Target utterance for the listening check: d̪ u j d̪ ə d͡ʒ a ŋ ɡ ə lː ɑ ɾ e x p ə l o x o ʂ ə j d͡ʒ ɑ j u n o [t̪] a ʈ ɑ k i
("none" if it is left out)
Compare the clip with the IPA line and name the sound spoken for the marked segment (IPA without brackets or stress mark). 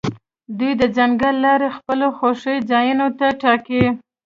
t̪